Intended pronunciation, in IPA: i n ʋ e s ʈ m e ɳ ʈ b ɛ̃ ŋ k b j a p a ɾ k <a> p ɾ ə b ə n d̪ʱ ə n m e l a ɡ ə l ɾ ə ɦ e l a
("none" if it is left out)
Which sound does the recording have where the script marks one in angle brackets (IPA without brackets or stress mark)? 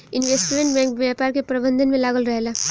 e